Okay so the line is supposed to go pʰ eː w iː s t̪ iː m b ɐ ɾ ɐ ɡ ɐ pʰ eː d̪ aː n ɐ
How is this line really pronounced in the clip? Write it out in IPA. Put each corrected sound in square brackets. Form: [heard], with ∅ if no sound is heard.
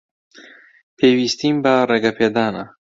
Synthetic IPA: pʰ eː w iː s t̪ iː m b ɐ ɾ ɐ ɡ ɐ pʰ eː d̪ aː n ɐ